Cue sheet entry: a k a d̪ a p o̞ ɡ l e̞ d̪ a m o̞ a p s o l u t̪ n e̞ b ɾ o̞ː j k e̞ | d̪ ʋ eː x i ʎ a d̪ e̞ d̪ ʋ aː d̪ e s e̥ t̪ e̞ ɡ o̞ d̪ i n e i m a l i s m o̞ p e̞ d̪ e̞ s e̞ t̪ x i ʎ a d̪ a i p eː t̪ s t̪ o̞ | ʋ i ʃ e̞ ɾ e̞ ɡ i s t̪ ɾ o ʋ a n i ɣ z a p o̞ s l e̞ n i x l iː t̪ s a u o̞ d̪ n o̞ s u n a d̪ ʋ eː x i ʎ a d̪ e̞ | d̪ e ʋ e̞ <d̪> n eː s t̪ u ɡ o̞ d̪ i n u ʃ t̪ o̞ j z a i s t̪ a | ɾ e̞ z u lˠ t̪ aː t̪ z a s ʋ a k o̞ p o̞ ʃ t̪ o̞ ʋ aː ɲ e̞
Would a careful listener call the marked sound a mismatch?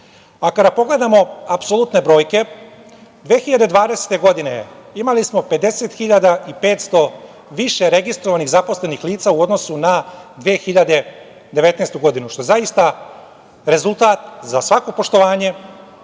yes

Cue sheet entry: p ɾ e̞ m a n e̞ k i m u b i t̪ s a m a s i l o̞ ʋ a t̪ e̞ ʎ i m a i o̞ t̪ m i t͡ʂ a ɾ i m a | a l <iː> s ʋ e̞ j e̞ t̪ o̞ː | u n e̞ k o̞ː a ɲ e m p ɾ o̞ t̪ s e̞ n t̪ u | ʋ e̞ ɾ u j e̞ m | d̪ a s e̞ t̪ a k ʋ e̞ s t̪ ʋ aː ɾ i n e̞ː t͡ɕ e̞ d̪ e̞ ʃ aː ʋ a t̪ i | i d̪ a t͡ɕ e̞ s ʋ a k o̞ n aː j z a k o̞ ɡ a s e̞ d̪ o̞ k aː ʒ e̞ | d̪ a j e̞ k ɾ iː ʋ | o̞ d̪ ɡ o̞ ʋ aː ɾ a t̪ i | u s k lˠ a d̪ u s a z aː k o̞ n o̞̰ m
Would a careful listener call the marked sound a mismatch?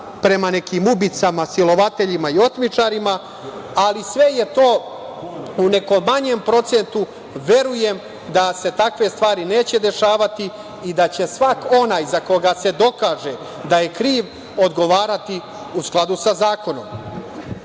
yes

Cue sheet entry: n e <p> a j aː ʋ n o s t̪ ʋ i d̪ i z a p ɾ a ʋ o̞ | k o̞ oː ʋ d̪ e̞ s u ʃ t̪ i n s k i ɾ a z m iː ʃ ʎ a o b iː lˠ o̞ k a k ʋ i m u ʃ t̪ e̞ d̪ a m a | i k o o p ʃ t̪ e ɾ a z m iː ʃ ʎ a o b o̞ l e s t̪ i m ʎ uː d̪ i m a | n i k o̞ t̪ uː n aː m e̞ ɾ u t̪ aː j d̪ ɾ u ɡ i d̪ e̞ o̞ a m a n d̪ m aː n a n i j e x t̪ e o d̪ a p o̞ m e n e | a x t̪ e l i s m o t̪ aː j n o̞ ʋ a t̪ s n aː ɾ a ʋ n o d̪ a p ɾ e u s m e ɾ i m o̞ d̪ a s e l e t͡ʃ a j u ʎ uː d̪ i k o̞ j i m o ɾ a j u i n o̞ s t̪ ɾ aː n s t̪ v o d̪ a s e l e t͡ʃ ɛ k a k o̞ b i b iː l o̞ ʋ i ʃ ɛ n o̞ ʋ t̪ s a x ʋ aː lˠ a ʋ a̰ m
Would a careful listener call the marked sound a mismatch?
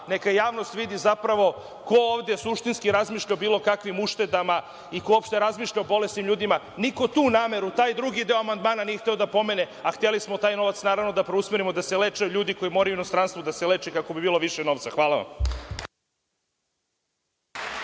yes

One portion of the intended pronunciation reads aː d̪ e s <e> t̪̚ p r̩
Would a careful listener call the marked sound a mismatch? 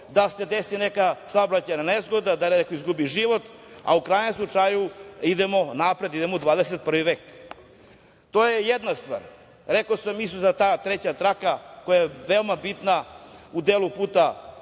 no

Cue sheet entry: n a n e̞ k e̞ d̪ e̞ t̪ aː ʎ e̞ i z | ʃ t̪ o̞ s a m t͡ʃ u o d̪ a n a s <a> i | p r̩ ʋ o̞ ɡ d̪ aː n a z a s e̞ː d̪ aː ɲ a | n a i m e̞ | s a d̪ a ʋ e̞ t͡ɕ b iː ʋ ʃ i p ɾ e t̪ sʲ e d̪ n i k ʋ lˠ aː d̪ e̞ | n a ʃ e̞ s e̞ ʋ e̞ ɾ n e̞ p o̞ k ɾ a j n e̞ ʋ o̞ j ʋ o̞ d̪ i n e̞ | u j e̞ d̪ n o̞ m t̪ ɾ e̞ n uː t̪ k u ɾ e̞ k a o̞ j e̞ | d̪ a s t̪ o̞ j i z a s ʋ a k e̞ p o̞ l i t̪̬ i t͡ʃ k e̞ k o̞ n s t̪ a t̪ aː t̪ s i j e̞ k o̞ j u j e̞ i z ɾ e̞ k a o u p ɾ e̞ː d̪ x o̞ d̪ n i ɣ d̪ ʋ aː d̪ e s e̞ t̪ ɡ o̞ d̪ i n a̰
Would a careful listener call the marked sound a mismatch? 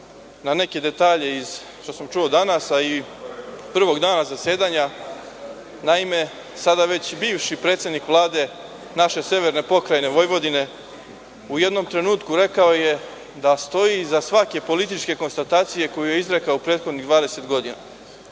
no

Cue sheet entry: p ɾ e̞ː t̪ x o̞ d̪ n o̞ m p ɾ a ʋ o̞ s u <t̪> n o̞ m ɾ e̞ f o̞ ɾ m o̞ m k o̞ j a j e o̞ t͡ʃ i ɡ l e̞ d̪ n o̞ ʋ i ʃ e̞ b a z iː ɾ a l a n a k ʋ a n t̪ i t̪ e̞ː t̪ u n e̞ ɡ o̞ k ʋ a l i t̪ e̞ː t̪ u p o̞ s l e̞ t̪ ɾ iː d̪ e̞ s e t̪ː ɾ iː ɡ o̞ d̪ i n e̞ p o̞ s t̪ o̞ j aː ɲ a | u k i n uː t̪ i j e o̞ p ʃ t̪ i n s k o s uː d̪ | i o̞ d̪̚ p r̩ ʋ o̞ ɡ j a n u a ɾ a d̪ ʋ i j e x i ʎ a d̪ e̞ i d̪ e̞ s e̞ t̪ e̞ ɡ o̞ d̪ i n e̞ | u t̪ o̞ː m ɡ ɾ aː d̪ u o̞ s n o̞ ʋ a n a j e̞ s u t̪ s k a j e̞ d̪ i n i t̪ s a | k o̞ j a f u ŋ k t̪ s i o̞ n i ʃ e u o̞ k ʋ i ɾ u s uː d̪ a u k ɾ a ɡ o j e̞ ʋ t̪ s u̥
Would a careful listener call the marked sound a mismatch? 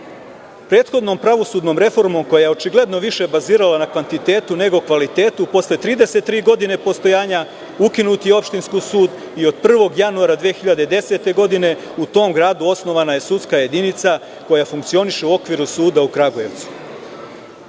yes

